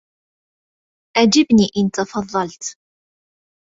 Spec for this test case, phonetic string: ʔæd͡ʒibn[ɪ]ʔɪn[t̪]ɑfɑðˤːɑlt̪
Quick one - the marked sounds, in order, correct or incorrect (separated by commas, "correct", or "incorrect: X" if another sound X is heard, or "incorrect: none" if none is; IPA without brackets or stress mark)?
incorrect: i, correct